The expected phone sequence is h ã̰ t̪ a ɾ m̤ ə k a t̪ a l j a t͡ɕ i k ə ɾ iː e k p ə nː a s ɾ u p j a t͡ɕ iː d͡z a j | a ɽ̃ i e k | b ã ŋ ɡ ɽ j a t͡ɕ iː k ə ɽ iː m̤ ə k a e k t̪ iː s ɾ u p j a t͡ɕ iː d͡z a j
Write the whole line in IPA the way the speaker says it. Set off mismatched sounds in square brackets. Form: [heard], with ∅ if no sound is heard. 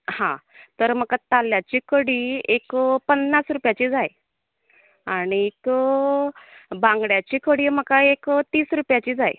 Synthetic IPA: h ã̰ t̪ [ə] ɾ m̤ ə k a t̪ a l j a t͡ɕ i k ə [ɽ] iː e k p ə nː a s ɾ u p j a t͡ɕ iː d͡z a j | a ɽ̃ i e k | b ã ŋ ɡ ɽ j a t͡ɕ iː k ə ɽ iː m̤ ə k a e k t̪ iː s ɾ u p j a t͡ɕ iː d͡z a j